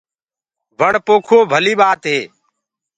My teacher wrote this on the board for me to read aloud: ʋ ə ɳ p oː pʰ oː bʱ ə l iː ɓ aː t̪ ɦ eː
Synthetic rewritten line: ʋ ə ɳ p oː kʰ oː bʱ ə l iː ɓ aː t̪ ɦ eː